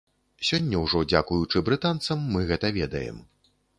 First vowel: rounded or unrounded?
rounded